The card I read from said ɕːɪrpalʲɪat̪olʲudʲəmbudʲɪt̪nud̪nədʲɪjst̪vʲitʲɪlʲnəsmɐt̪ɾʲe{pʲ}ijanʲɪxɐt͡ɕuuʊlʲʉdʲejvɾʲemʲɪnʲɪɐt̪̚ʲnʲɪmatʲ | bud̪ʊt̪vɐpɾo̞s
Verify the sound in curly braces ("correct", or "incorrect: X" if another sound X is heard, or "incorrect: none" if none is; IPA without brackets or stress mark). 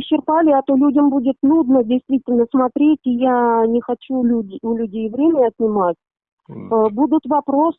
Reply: incorrect: tʲ